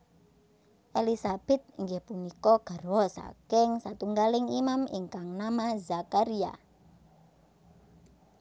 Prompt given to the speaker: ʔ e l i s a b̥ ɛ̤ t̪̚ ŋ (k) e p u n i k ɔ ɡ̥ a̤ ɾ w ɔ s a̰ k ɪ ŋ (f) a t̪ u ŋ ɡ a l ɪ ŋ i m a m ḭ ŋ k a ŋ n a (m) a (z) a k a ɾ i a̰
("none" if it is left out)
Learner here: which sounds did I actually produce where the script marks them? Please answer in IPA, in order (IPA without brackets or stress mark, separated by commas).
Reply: ɡ, s, m, z